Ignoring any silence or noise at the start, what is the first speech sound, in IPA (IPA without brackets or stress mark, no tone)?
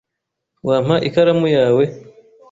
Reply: w